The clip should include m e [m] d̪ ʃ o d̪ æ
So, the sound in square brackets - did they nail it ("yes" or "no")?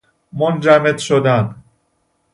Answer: no